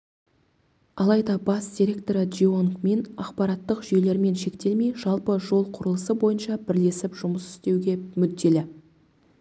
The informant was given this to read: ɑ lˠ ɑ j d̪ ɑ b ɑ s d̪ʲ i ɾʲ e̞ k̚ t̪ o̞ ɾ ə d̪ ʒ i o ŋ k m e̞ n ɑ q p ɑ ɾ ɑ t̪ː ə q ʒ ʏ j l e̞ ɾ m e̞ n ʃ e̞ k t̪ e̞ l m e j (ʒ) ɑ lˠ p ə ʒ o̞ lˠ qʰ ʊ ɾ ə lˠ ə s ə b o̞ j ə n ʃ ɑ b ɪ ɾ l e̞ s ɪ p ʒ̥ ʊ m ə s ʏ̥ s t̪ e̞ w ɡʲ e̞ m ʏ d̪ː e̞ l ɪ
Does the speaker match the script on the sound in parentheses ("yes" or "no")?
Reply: yes